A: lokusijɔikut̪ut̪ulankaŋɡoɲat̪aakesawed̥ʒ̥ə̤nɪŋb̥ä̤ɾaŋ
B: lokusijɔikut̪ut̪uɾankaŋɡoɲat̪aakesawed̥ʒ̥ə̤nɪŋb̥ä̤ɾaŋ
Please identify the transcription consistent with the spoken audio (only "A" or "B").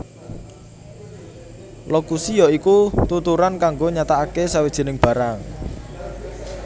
B